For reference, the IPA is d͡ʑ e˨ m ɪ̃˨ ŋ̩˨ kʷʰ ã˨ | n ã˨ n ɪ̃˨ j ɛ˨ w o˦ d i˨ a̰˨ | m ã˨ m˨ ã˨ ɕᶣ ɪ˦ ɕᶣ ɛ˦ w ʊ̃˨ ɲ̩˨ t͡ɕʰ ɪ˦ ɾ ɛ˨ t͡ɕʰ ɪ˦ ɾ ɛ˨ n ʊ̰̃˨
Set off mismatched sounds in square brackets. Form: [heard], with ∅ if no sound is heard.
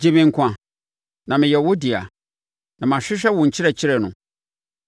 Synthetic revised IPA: d͡ʑ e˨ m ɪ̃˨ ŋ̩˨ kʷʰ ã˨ | n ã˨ [m] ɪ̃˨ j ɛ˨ w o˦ d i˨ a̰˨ | [n] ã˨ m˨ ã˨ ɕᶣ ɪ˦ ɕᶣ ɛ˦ w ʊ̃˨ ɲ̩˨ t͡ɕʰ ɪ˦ ɾ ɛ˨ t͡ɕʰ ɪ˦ ɾ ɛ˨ n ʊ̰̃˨

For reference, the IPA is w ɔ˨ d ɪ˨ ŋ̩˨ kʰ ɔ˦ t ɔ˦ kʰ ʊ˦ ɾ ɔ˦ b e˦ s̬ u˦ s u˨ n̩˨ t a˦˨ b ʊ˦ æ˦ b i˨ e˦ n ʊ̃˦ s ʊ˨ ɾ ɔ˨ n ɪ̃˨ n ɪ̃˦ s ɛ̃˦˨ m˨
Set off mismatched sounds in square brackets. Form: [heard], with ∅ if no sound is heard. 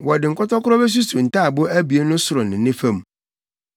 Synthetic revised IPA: w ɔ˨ d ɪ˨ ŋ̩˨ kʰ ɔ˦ t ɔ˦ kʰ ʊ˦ ɾ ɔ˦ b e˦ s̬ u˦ s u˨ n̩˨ t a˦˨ b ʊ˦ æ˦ b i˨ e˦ n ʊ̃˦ s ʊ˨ ɾ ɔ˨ n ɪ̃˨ n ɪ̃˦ [f] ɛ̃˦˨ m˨

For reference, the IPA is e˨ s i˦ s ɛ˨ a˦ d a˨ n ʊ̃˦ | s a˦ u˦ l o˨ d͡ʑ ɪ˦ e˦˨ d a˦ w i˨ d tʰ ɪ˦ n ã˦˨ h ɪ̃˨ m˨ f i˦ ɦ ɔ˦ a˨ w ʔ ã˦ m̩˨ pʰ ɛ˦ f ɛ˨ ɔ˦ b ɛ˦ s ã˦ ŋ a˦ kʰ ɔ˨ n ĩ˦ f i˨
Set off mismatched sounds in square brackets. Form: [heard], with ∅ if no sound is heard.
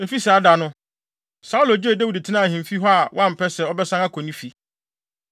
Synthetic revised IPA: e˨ [f] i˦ s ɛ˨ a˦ d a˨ n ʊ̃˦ | s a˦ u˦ l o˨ d͡ʑ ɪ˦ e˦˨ d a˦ w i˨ d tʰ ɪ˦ n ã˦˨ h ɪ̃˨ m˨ f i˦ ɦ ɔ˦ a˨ w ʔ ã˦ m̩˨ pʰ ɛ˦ [s] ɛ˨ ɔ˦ b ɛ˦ s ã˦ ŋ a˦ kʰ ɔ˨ n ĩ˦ f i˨

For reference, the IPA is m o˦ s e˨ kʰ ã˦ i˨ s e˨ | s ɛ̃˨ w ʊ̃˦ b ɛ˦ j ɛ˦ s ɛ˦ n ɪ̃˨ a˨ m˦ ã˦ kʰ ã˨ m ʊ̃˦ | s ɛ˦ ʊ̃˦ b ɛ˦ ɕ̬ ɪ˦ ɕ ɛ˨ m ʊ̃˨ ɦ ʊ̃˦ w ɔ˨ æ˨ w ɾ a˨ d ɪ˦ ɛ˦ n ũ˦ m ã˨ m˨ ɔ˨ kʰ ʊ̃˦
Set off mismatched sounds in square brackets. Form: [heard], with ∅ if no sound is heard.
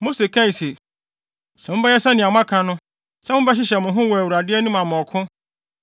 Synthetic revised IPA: m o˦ s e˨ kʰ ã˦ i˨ s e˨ | s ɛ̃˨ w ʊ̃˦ b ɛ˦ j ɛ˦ s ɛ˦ n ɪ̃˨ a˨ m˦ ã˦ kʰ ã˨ [n] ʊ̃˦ | s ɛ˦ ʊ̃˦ b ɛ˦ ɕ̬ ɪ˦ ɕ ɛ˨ m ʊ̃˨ ɦ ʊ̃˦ w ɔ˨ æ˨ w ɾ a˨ d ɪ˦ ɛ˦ n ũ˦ m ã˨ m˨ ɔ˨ kʰ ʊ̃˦

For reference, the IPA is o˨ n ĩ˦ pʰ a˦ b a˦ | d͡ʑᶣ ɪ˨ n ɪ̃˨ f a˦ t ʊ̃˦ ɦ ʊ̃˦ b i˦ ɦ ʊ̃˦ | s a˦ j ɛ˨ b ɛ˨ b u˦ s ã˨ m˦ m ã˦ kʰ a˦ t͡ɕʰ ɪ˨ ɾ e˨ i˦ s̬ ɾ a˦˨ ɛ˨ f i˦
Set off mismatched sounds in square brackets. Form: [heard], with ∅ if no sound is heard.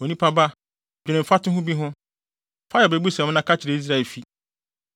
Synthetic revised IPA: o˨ n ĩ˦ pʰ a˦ b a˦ | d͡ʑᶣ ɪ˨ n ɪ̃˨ f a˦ t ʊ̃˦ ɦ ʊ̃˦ b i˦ ɦ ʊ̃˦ | [f] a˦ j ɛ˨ b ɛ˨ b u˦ s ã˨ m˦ [n] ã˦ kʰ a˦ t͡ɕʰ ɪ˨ ɾ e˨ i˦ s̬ ɾ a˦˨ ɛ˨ f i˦

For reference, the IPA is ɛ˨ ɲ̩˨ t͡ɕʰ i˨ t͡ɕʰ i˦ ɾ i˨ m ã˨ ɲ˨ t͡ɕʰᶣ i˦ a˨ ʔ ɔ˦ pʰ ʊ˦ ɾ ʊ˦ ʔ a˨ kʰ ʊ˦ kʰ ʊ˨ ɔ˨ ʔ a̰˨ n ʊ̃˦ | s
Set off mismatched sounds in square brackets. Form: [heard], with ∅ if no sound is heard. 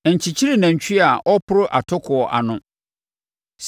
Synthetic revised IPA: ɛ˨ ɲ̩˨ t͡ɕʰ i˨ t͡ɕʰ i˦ ɾ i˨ [n] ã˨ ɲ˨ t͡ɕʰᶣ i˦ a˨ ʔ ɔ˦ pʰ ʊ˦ ɾ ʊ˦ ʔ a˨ [tʰ] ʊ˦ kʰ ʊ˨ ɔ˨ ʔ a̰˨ n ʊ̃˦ | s

